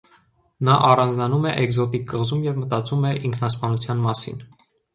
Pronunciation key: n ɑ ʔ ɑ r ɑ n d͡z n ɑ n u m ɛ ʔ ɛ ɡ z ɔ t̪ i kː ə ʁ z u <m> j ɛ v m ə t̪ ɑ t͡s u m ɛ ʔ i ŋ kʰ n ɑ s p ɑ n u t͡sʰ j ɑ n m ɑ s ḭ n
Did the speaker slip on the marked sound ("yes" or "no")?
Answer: no